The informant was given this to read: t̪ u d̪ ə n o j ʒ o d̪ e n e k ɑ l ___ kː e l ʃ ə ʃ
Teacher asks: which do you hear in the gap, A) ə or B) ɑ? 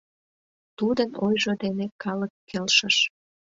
A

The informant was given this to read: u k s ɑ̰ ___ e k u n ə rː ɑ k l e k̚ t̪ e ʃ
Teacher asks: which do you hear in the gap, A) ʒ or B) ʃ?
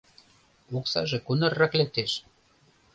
A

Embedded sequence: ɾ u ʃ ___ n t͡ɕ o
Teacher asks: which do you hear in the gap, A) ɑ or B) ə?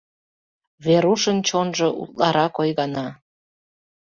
B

